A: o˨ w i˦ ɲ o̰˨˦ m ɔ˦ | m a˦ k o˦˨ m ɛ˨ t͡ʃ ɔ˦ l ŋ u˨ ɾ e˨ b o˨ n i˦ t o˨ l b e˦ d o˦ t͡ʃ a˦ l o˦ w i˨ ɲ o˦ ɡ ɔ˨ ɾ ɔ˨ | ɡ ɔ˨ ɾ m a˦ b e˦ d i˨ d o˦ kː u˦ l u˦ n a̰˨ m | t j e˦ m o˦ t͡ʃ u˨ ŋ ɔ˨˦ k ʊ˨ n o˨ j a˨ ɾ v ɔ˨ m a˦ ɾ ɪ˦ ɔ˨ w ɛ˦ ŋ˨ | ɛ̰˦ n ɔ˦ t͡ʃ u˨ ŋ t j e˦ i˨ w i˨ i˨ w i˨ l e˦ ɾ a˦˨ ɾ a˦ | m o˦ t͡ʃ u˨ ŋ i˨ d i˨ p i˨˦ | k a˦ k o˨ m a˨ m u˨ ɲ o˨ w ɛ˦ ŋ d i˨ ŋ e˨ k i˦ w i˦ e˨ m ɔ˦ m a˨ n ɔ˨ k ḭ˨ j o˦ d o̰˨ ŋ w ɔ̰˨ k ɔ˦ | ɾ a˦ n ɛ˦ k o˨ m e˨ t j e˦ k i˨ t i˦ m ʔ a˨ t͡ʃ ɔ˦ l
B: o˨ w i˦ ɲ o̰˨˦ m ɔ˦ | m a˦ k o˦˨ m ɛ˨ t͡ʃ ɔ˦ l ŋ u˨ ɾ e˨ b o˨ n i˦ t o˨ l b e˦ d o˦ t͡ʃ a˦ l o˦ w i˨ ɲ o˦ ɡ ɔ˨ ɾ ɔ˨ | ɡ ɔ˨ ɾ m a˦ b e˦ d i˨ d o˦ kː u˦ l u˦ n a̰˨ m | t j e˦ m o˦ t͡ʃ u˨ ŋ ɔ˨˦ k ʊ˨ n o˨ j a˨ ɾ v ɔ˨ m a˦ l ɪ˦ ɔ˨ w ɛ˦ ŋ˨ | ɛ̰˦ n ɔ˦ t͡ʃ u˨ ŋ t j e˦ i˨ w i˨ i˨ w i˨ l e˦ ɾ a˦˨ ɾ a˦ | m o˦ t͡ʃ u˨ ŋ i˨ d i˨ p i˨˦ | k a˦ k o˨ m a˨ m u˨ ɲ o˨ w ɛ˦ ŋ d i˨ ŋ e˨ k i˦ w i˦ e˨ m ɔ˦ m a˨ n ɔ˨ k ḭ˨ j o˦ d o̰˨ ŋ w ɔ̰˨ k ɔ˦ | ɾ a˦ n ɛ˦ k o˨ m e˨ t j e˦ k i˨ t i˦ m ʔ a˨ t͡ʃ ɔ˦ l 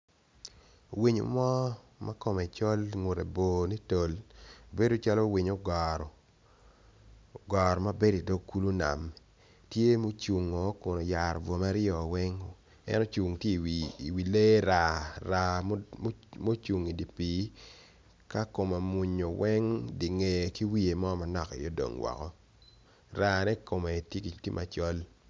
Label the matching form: A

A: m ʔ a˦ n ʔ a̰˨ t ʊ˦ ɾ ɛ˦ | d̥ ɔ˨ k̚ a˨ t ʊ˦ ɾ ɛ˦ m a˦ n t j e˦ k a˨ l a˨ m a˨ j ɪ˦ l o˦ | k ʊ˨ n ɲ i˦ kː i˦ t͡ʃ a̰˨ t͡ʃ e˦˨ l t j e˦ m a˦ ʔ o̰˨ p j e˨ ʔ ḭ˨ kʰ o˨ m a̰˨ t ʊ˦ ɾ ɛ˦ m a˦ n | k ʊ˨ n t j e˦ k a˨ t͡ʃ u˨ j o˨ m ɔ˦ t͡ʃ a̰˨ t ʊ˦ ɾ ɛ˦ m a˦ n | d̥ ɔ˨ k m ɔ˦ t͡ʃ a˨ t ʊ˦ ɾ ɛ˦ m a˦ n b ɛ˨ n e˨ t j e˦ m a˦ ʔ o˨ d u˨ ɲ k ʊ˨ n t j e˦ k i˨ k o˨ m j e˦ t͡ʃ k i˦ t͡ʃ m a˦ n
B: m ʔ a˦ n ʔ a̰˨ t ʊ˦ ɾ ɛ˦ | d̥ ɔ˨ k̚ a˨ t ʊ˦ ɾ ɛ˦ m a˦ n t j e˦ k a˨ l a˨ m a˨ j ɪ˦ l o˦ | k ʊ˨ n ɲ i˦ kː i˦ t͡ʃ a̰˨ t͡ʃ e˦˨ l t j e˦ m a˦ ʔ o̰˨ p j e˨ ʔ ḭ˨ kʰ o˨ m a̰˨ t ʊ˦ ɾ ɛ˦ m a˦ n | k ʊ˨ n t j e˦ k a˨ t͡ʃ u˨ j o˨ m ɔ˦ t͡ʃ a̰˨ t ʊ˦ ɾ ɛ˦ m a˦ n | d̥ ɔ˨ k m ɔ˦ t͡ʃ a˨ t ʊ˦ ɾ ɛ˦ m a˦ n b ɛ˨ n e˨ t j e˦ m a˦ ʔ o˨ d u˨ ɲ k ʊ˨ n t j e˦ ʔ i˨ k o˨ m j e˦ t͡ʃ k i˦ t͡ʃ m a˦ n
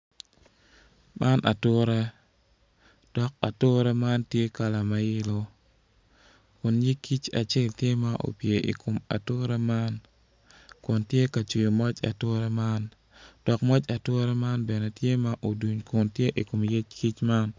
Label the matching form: B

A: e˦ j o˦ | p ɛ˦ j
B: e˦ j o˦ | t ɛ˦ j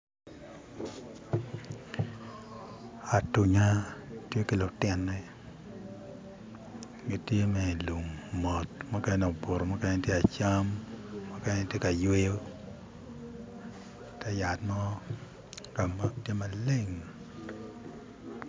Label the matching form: B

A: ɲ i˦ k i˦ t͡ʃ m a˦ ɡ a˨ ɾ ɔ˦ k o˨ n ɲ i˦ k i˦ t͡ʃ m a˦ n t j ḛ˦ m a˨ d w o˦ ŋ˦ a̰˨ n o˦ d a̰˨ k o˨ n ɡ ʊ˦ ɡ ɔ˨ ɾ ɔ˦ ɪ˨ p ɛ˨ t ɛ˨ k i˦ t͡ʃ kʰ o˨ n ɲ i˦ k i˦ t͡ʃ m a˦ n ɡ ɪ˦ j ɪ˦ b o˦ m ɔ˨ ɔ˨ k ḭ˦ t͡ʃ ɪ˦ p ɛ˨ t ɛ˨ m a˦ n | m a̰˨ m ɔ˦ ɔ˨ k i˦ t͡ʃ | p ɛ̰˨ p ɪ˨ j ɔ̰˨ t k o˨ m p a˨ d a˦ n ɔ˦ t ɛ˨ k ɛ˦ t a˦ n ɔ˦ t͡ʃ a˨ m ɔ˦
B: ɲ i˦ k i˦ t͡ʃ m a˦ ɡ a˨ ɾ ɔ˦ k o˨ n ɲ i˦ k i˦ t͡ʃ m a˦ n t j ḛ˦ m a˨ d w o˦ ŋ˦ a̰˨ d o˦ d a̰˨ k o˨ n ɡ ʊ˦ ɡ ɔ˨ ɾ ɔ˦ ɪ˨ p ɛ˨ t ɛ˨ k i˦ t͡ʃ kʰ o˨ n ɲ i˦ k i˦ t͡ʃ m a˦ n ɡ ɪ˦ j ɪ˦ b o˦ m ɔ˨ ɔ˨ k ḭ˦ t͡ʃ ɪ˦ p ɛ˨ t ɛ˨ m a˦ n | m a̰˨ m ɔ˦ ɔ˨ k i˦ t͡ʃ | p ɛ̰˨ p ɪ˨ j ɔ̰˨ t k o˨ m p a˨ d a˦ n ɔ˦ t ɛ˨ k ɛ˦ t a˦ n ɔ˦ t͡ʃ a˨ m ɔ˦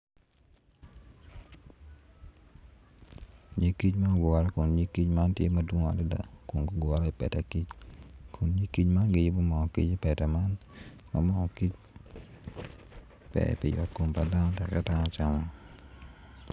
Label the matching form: B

